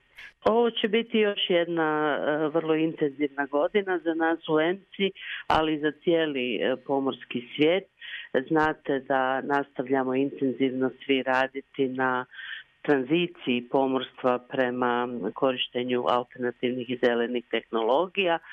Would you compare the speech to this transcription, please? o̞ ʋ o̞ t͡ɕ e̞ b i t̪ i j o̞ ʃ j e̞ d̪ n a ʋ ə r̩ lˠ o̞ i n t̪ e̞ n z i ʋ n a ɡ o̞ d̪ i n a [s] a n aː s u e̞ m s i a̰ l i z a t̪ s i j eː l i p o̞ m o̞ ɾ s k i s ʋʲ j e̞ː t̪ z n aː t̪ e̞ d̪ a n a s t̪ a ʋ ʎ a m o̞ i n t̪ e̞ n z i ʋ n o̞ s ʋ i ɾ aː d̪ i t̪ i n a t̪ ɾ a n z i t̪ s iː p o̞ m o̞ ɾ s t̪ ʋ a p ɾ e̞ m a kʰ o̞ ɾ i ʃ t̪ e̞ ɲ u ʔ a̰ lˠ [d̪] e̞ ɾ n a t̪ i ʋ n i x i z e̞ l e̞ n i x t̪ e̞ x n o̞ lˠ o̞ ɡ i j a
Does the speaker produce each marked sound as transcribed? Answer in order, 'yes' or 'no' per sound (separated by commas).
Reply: no, no